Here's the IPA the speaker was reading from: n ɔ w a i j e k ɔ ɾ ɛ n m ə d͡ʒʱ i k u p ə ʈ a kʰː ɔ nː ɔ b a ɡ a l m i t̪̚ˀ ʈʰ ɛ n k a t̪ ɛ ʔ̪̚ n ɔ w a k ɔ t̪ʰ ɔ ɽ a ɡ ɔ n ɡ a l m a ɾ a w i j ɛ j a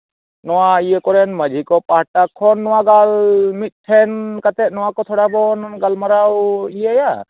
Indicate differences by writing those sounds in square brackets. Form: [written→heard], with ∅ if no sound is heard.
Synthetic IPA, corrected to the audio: n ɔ w a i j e k ɔ ɾ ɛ n m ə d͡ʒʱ i k [u→ɔ] p [ə→a] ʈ a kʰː ɔ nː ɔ [b→w] a ɡ a l m i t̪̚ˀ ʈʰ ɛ n k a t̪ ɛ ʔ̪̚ n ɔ w a k ɔ t̪ʰ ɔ ɽ a [ɡ→b] ɔ n ɡ a l m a ɾ a w i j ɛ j a